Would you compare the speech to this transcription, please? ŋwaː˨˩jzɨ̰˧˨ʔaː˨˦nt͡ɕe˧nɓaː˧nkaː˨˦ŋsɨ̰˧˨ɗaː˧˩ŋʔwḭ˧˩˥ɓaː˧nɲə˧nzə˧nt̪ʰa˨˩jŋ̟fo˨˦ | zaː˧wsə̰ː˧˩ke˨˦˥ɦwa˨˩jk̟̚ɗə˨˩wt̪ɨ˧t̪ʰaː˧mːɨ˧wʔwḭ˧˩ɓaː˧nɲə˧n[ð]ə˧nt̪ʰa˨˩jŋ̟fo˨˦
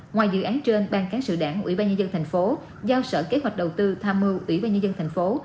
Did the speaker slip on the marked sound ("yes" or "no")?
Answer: yes